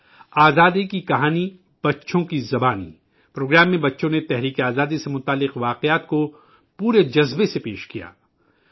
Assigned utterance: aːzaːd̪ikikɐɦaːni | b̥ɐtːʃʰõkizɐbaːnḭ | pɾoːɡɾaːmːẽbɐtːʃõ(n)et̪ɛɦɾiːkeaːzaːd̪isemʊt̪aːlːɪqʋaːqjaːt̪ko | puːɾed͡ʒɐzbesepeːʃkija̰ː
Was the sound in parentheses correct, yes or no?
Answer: yes